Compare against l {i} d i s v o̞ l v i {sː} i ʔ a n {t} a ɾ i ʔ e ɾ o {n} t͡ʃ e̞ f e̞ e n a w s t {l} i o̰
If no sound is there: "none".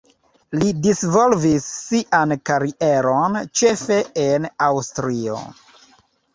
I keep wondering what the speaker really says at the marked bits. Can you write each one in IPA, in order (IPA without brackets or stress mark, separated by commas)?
i, sː, k, n, ɾ